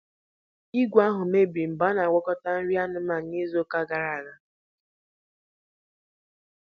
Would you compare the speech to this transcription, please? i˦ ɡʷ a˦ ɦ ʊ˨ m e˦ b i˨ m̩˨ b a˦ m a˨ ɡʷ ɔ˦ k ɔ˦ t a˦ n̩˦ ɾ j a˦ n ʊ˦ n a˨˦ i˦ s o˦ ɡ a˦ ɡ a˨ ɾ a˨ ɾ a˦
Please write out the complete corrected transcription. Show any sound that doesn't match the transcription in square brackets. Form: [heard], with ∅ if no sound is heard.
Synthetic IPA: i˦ ɡʷ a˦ ɦ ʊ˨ m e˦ b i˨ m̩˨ b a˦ [n] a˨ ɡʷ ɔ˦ k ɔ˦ t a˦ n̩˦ ɾ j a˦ n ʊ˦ [m] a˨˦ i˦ [z] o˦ [k] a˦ ɡ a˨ ɾ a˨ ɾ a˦